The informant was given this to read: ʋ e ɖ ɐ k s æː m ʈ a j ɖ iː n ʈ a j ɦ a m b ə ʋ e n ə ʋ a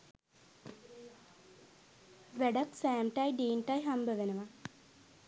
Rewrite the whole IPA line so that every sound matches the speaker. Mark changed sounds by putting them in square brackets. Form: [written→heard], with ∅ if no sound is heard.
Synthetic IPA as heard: ʋ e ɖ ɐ k s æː m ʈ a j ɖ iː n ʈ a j ɦ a m b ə ʋ e n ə ʋ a